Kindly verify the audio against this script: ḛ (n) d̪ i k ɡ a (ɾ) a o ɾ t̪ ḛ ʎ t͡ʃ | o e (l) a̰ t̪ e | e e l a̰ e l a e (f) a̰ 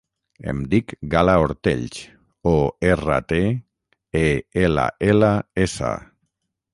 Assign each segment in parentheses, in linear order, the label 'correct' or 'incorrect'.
incorrect, incorrect, incorrect, incorrect

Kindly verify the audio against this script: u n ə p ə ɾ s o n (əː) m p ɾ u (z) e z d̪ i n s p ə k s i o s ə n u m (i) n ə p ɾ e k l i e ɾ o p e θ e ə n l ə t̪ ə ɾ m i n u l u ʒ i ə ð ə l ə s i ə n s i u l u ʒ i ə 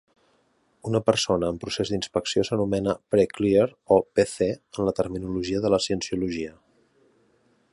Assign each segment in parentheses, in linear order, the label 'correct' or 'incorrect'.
correct, incorrect, incorrect

